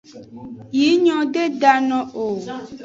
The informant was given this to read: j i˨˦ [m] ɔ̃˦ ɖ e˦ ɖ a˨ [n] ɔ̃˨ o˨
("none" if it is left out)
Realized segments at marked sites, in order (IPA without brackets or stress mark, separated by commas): ɲ, n